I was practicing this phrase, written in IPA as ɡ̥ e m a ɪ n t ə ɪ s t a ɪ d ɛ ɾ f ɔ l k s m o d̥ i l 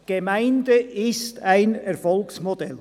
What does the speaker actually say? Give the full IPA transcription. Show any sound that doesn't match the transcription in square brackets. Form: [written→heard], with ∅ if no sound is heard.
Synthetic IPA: ɡ̥ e m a ɪ n [t→d] ə ɪ s t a ɪ [d→n] ɛ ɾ f ɔ l k s m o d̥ [i→ɛ] l